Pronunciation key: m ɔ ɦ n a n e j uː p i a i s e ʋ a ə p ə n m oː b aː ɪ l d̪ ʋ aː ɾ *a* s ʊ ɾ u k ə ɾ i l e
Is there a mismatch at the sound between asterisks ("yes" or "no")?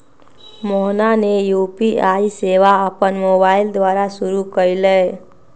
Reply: no